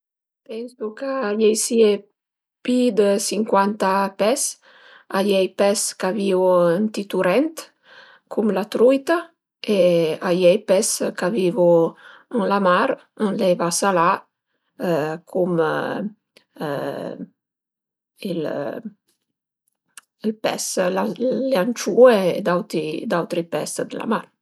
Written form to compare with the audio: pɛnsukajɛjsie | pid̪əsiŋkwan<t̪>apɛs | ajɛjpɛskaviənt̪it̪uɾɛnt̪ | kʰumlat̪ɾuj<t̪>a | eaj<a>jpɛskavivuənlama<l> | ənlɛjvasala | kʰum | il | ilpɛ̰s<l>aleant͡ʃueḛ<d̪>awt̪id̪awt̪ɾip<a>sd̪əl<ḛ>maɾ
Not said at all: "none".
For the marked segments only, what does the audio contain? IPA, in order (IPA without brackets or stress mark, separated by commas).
t̪, t̪, ɛ, ɾ, l, d̪, ɛ, a̰